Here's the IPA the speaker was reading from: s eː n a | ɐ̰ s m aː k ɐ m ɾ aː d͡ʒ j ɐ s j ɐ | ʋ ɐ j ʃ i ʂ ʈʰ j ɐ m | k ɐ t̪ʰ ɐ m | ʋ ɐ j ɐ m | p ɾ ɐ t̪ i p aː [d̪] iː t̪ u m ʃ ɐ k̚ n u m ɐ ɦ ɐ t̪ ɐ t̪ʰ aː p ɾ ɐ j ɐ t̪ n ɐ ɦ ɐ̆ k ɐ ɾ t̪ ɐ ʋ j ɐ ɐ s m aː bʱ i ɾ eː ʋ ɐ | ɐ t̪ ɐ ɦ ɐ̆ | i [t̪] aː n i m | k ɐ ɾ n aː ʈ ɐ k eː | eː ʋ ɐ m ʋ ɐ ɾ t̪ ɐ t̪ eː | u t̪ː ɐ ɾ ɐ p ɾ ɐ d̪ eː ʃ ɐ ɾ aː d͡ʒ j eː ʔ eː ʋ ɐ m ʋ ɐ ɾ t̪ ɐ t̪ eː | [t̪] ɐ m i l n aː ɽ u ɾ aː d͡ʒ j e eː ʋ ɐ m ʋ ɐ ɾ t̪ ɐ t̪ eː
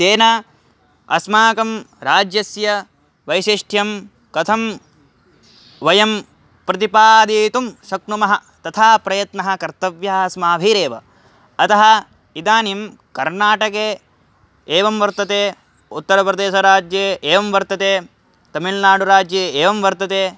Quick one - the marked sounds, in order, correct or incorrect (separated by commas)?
correct, incorrect, correct